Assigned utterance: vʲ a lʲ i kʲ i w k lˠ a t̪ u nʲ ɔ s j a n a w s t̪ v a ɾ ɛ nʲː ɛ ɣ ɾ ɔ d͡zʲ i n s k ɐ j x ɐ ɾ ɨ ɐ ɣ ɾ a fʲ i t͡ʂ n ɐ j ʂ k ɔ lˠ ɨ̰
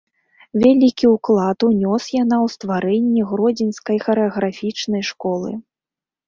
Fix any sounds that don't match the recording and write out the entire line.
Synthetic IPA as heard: vʲ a lʲ i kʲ i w k lˠ a t̪ u nʲ ɔ s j a n a w s t̪ v a ɾ ɛ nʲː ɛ ɣ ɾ ɔ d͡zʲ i n s k ɐ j x ɐ ɾ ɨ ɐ ɣ ɾ a fʲ i t͡ʂ n ɐ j ʂ k ɔ lˠ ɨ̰